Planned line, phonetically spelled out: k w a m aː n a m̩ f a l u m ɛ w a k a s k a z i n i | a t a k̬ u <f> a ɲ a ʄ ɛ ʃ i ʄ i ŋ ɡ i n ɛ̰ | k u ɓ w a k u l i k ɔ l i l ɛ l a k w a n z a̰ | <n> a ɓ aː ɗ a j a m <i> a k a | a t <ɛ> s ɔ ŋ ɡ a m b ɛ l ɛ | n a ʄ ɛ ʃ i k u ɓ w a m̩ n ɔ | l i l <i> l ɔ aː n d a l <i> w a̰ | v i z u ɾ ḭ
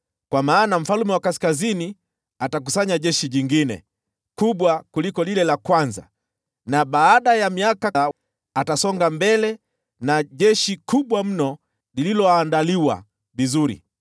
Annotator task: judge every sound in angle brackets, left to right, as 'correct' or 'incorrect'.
incorrect, correct, correct, incorrect, correct, correct

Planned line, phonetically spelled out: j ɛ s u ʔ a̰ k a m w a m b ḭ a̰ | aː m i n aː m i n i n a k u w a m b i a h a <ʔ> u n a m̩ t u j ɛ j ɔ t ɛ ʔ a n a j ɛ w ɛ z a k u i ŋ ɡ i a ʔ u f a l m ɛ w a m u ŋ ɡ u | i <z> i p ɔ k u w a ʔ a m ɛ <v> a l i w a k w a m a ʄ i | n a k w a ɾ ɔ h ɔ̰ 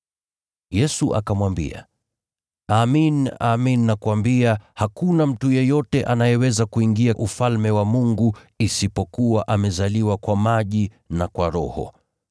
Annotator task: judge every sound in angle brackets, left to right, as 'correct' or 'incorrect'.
incorrect, incorrect, incorrect

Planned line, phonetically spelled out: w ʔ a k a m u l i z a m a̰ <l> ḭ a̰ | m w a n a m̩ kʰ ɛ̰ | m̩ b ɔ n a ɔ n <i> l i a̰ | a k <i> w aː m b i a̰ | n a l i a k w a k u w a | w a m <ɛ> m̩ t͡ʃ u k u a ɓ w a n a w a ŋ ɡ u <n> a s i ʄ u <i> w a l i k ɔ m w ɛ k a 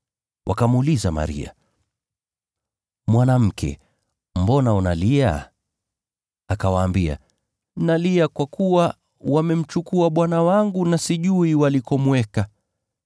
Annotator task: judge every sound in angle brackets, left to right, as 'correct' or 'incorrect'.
incorrect, incorrect, incorrect, correct, correct, correct

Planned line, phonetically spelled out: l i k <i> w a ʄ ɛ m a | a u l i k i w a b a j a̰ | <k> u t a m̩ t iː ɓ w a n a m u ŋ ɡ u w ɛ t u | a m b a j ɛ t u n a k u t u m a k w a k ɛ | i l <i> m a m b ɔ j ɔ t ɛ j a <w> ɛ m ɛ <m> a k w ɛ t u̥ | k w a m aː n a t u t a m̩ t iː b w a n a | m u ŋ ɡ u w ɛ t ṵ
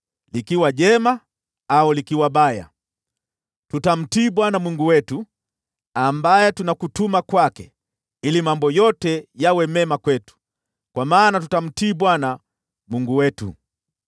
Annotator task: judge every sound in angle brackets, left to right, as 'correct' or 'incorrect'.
correct, incorrect, correct, correct, correct

